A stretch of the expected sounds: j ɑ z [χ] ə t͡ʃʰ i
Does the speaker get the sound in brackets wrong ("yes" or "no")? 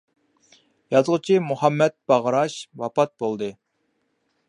yes